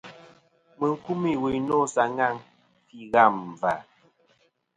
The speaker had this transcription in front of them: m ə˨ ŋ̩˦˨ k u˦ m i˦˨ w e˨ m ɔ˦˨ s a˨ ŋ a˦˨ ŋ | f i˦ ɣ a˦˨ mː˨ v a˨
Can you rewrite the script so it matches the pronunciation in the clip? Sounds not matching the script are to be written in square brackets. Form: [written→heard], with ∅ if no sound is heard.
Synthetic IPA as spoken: m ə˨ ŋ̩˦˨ k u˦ m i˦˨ w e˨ [m→n] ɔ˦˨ s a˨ ŋ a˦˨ ŋ | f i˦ ɣ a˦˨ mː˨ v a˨